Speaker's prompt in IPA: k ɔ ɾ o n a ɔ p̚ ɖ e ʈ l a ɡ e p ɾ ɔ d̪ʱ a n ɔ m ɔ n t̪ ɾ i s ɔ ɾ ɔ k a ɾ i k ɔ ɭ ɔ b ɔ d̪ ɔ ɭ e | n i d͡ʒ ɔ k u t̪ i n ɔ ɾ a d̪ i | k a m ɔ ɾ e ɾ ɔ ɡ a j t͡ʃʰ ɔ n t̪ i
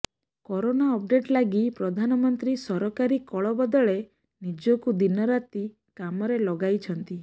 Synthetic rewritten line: k ɔ ɾ o n a ɔ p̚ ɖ e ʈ l a ɡ i p ɾ ɔ d̪ʱ a n ɔ m ɔ n t̪ ɾ i s ɔ ɾ ɔ k a ɾ i k ɔ ɭ ɔ b ɔ d̪ ɔ ɭ e | n i d͡ʒ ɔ k u d̪ i n ɔ ɾ a t̪ i | k a m ɔ ɾ e l ɔ ɡ a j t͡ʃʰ ɔ n t̪ i

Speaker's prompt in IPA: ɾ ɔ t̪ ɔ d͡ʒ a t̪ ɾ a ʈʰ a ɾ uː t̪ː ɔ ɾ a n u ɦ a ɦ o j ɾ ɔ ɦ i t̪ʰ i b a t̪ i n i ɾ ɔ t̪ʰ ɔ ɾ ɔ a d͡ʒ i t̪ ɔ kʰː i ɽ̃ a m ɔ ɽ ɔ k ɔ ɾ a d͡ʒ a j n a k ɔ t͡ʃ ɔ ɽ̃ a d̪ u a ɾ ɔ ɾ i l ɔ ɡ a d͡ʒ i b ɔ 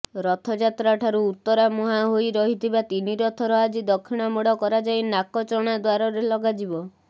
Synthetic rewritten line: ɾ ɔ t̪ʰ ɔ d͡ʒ a t̪ ɾ a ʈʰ a ɾ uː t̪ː ɔ ɾ a m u ɦ a ɦ o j ɾ ɔ ɦ i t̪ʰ i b a t̪ i n i ɾ ɔ t̪ʰ ɔ ɾ ɔ a d͡ʒ i d̪ ɔ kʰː i ɽ̃ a m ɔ ɽ ɔ k ɔ ɾ a d͡ʒ a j n a k ɔ t͡ʃ ɔ ɽ̃ a d̪ w a ɾ ɔ ɾ e l ɔ ɡ a d͡ʒ i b ɔ

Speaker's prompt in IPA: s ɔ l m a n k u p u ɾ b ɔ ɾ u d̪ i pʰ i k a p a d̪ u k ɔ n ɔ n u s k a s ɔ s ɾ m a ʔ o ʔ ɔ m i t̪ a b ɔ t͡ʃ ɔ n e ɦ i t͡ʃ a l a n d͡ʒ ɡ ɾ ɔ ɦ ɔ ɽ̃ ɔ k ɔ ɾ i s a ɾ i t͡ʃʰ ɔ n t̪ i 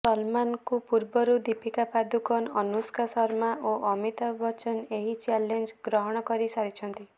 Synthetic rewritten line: s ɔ l m a n k u p u ɾ b ɔ ɾ u d̪ i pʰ i k a p a d̪ u k ɔ n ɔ n u s k a s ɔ ɾ m a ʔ o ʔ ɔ m i t̪ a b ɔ t͡ʃ ɔ n e ɦ i t͡ʃ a l e n d͡ʒ ɡ ɾ ɔ ɦ ɔ ɽ̃ ɔ k ɔ ɾ i s a ɾ i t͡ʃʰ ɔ n t̪ i

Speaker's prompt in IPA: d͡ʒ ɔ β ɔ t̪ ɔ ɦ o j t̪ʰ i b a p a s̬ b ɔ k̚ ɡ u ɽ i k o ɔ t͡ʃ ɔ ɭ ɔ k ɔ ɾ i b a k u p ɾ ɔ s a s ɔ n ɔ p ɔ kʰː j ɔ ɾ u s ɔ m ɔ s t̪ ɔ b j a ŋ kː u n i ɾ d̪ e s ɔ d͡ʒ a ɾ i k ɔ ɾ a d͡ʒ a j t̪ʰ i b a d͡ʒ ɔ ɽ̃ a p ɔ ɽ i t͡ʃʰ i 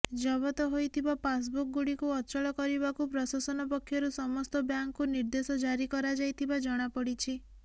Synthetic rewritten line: d͡ʒ ɔ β ɔ t̪ ɔ ɦ o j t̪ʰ i b a p a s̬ b u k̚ ɡ u ɽ i k u ɔ t͡ʃ ɔ ɭ ɔ k ɔ ɾ i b a k u p ɾ ɔ s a s ɔ n ɔ p ɔ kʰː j ɔ ɾ u s ɔ m ɔ s t̪ ɔ b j a ŋ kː u n i ɾ d̪ e s ɔ d͡ʒ a ɾ i k ɔ ɾ a d͡ʒ a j t̪ʰ i b a d͡ʒ ɔ ɽ̃ a p ɔ ɽ i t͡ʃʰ i

